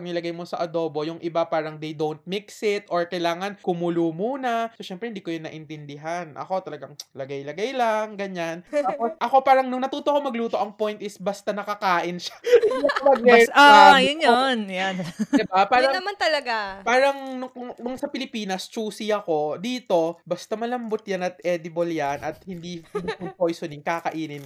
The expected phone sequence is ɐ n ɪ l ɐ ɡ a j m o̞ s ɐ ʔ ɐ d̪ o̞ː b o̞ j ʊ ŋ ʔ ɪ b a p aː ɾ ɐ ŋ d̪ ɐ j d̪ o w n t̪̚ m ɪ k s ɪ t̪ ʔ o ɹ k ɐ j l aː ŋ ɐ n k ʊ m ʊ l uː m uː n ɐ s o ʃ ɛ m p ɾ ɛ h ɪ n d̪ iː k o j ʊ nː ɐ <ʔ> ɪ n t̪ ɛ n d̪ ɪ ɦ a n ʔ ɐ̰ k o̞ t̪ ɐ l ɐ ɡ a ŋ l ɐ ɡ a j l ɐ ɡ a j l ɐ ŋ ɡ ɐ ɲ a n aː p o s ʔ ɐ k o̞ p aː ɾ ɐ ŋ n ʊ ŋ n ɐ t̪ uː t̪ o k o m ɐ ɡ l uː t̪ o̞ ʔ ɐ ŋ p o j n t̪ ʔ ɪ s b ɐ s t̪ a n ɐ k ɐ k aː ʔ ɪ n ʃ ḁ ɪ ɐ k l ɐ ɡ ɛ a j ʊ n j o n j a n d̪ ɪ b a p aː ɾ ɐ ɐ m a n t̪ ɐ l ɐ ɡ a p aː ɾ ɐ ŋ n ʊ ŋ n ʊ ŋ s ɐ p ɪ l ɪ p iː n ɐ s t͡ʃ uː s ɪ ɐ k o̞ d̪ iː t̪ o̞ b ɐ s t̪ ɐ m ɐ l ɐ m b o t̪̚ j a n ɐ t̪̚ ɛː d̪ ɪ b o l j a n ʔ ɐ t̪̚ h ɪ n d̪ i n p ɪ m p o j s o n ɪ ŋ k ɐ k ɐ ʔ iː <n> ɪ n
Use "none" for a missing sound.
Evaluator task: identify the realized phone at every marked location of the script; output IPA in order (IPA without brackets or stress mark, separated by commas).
ʔ, n